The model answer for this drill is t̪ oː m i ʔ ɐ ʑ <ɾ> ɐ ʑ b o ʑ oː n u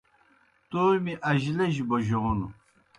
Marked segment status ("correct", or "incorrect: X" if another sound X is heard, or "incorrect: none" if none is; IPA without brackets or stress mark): incorrect: l